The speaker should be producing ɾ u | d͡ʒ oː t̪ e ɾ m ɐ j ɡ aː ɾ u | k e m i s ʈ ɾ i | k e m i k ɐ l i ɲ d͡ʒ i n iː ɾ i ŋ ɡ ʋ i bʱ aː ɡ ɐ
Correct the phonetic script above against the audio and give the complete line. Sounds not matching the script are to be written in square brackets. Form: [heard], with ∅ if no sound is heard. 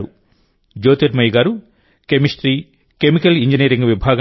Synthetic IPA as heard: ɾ u | d͡ʒ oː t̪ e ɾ m ɐ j ɡ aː ɾ u | k e m i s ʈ ɾ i | k e m i k ɐ l i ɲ d͡ʒ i n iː ɾ i ŋ ɡ ʋ i bʱ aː ɡ ɐ